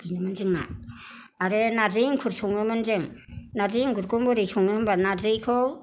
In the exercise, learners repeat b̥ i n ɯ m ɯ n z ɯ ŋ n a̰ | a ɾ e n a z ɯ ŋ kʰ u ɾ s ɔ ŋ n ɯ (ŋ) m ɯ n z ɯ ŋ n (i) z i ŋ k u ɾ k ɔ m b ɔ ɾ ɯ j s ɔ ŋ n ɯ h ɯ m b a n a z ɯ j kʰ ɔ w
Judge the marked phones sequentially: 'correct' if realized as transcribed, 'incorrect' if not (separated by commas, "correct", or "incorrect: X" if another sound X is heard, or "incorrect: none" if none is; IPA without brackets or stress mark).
incorrect: none, incorrect: a